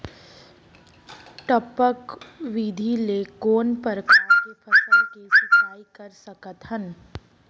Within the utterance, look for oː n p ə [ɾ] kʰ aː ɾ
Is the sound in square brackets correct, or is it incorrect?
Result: correct